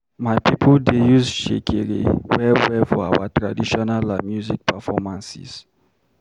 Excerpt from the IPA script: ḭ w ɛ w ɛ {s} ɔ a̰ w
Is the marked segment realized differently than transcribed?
yes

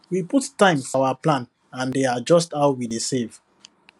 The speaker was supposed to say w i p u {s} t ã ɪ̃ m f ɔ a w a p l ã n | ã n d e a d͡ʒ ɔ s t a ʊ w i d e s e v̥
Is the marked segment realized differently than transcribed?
yes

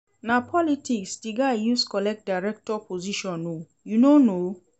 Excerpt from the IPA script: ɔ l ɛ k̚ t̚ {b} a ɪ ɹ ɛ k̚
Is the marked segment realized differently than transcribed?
yes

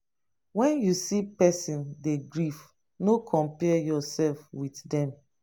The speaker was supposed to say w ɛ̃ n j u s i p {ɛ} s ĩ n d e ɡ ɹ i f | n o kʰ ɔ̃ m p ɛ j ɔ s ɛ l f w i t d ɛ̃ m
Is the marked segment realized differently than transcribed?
no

